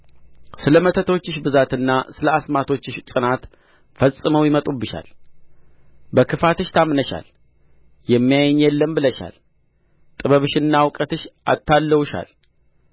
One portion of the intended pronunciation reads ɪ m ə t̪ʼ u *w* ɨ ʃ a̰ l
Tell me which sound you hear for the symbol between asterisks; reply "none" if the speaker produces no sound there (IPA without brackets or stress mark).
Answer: b